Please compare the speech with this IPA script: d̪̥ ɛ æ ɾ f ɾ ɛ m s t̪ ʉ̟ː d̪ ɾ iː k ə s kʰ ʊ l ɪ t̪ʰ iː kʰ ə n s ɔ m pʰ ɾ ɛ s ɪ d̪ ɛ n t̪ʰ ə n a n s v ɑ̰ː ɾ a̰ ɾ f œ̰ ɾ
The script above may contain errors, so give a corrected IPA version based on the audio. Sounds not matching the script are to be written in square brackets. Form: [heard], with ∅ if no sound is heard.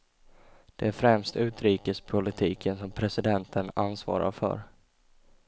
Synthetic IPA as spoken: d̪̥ ɛ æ ɾ f ɾ ɛ m s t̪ ʉ̟ː [t̪] ɾ iː k ə s [pʰ] ʊ l ɪ t̪ʰ iː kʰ ə n s ɔ m pʰ ɾ ɛ s ɪ d̪ ɛ n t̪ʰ ə n a n s v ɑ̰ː ɾ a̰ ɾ f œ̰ ɾ